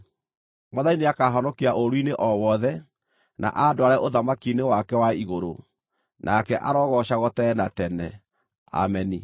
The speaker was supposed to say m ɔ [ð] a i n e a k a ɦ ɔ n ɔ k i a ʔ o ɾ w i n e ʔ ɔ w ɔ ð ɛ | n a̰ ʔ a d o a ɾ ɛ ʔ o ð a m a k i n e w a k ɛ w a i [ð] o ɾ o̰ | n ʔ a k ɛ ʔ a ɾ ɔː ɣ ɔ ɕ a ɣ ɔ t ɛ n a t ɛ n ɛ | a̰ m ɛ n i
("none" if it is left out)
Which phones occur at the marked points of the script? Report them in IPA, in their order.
ð, ɣ

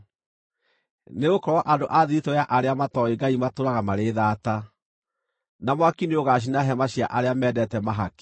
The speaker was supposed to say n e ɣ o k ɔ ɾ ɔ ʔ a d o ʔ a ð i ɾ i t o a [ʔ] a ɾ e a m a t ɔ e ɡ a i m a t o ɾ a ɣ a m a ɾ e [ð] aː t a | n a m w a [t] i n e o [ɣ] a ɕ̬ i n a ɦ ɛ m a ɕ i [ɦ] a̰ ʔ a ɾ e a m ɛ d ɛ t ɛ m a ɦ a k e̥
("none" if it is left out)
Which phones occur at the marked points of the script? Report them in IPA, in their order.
ʔ, ð, k, ɣ, none

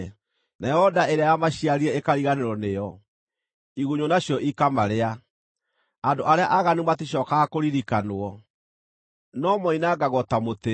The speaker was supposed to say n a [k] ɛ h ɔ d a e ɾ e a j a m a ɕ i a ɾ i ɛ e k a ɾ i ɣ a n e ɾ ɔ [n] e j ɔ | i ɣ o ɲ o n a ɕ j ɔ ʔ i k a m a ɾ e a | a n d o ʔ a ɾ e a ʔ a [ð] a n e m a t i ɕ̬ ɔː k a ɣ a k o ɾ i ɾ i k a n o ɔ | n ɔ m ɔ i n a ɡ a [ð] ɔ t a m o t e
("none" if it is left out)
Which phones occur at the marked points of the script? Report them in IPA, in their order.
none, n, ɣ, ɣ

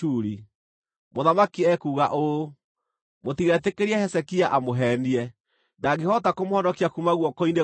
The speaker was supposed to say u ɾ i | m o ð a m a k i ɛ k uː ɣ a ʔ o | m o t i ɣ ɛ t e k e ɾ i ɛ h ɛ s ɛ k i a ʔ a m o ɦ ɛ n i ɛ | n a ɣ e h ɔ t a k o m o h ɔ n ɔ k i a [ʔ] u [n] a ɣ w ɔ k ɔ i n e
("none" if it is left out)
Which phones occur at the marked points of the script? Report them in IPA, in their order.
k, m

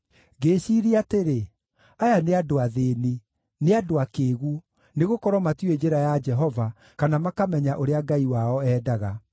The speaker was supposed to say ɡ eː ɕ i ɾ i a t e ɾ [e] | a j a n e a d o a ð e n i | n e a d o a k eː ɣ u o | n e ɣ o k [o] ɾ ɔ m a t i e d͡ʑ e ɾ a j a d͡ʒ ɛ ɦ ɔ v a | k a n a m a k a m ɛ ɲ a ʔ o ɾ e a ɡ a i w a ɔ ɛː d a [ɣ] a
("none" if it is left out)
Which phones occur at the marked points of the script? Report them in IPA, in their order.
e, ɔ, ɣ

